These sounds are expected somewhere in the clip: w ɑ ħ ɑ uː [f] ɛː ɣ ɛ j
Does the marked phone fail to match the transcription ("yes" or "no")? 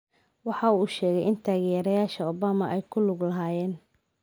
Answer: yes